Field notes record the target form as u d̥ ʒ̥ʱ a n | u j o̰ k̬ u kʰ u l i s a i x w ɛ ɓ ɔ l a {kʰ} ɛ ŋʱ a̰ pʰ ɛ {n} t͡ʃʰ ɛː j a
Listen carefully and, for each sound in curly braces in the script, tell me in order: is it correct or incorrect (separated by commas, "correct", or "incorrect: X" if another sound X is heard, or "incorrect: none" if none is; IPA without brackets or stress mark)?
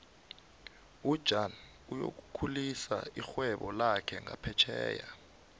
correct, incorrect: none